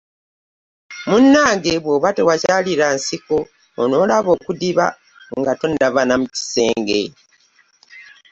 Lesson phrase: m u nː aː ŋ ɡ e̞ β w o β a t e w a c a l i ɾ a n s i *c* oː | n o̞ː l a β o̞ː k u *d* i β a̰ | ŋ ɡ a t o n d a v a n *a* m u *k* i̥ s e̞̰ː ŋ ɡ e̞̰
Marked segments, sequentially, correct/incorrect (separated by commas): incorrect, correct, correct, incorrect